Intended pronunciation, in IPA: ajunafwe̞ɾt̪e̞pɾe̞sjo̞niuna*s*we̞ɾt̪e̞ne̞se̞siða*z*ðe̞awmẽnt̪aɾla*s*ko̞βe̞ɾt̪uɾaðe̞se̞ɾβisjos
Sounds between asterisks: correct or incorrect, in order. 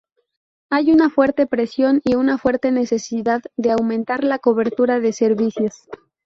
incorrect: f, incorrect: ð, incorrect: none

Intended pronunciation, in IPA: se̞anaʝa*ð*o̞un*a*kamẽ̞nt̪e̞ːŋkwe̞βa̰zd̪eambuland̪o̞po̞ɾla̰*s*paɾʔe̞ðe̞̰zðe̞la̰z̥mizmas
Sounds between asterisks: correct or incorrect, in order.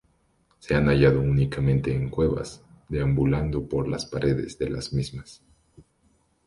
correct, incorrect: i, correct

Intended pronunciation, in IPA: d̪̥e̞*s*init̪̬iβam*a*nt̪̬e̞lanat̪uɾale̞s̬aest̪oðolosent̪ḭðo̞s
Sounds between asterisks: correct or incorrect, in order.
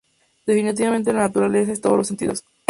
incorrect: f, incorrect: e

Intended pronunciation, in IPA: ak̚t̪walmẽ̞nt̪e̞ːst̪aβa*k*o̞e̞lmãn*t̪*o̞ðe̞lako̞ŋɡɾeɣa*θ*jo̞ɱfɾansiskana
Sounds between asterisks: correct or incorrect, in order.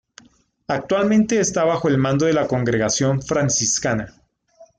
incorrect: x, incorrect: d̪, incorrect: s

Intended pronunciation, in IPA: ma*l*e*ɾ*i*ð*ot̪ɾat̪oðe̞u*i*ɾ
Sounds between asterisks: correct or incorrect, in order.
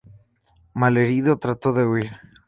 correct, correct, correct, correct

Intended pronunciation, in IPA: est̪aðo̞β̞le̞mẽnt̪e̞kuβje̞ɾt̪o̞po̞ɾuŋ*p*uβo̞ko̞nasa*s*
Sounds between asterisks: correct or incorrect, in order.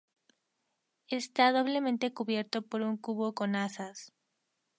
incorrect: k, correct

